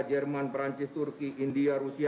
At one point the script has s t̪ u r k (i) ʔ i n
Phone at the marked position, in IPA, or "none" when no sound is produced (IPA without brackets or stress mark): i